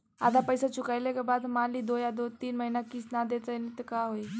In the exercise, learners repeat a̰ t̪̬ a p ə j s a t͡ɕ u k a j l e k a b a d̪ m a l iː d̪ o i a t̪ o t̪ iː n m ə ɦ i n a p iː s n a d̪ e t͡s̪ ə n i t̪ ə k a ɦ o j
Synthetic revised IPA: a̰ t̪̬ a p ə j s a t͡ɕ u k a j l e k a b a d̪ m a l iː d̪ o j a d̪ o t̪ iː n m ə ɦ i n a k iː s n a d̪ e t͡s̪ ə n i t̪ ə k a ɦ o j